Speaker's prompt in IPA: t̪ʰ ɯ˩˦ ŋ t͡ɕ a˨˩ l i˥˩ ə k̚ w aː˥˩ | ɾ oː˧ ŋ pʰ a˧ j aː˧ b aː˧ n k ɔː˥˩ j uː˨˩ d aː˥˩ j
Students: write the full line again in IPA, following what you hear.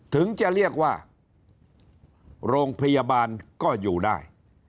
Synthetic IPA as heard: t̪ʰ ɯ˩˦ ŋ t͡ɕ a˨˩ ɾ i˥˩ ə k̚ w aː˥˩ | ɾ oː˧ ŋ pʰ a˧ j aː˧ b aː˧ n k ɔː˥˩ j uː˨˩ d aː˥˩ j